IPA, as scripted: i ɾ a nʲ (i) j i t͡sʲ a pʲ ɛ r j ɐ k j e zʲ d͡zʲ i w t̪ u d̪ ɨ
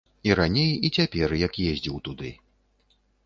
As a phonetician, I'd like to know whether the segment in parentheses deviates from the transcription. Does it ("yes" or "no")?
yes